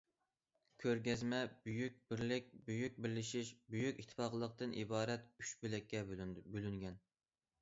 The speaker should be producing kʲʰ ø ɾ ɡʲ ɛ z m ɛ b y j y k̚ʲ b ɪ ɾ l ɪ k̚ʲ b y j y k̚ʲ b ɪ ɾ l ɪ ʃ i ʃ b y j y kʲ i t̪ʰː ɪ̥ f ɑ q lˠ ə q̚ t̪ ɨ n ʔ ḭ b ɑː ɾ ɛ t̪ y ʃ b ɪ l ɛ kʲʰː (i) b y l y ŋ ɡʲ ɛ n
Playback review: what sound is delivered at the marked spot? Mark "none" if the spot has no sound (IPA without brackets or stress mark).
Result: ɛ